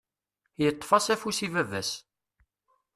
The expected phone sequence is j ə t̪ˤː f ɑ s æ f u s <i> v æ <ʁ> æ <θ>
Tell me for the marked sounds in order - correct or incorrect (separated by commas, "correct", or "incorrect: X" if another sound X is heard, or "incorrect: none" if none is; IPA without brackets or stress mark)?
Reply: correct, incorrect: v, incorrect: s